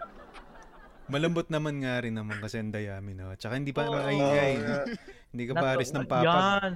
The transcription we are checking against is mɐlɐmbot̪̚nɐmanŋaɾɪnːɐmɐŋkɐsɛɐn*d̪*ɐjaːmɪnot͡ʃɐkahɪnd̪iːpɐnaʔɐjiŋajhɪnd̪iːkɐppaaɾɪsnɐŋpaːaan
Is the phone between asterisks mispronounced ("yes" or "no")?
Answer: no